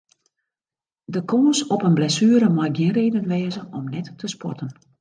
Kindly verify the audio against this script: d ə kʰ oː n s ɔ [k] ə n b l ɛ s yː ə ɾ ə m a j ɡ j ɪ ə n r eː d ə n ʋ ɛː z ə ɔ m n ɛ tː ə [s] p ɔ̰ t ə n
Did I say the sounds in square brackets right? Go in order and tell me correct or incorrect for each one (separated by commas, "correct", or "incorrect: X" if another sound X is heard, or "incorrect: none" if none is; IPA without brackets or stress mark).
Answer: incorrect: p, correct